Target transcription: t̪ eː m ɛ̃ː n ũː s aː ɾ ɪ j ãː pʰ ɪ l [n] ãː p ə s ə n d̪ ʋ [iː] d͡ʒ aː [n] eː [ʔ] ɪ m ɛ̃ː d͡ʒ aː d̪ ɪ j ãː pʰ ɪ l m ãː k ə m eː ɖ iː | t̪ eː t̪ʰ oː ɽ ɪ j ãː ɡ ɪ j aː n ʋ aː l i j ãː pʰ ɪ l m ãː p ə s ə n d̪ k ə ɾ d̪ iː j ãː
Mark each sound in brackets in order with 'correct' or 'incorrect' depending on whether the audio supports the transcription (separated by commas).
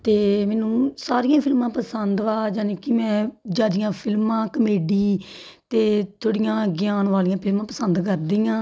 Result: incorrect, incorrect, correct, incorrect